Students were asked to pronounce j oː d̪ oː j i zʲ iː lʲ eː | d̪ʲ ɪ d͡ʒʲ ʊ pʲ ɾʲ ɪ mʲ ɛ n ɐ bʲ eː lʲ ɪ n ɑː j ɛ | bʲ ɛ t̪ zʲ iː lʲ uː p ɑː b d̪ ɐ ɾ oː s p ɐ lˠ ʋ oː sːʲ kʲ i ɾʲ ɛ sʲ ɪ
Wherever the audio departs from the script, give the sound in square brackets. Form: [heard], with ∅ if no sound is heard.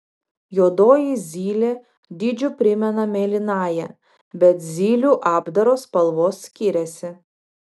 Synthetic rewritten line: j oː d̪ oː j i zʲ iː lʲ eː | d̪ʲ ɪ d͡ʒʲ ʊ pʲ ɾʲ ɪ mʲ ɛ n ɐ [mʲ] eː lʲ ɪ n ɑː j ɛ | bʲ ɛ t̪ zʲ iː lʲ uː [ʔ] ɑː b d̪ ɐ ɾ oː s p ɐ lˠ ʋ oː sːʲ kʲ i ɾʲ ɛ sʲ ɪ